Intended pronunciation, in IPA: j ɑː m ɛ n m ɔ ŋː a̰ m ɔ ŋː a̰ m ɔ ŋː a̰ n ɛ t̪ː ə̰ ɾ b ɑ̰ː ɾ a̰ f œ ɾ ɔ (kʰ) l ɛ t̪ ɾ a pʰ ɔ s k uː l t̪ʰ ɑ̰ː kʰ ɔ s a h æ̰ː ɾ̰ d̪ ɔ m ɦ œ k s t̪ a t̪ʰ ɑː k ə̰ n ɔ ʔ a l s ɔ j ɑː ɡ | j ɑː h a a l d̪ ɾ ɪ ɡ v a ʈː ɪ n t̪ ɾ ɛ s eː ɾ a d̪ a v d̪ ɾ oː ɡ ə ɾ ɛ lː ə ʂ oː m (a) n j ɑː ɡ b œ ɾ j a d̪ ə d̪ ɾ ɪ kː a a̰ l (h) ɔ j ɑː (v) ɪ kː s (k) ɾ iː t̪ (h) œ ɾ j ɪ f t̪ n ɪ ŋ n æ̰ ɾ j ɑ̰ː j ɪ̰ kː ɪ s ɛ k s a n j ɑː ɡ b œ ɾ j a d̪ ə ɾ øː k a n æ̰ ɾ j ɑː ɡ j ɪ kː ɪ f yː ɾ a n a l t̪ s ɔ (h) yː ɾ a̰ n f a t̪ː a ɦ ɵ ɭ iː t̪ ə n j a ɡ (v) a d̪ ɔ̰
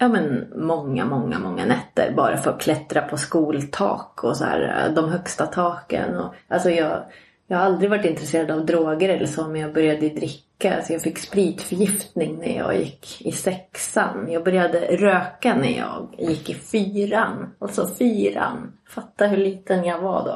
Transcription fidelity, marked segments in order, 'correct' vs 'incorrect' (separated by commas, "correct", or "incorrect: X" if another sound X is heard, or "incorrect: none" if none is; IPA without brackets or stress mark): correct, incorrect: ɛ, incorrect: s, incorrect: f, incorrect: p, incorrect: f, incorrect: f, correct